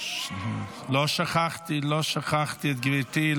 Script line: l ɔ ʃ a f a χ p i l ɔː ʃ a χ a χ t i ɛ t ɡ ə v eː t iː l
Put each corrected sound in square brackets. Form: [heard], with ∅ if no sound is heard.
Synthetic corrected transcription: l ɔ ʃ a [χ] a χ [t] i l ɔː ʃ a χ a χ t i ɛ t ɡ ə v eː t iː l